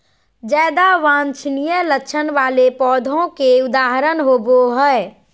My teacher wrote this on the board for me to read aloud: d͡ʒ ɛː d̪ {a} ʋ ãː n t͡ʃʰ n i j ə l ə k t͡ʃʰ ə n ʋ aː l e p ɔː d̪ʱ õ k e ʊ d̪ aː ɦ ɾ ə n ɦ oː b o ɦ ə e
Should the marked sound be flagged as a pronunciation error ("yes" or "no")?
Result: no